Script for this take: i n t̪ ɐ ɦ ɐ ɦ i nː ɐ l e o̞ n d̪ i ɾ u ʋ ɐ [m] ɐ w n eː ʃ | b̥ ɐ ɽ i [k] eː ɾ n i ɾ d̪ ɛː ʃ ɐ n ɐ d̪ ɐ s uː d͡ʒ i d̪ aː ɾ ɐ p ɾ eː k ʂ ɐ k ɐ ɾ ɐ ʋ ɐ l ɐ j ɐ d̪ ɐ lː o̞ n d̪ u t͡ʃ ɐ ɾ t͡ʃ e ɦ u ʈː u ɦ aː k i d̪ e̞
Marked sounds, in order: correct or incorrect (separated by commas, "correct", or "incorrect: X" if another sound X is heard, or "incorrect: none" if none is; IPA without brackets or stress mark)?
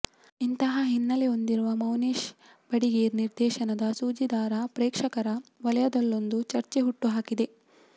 correct, incorrect: ɡ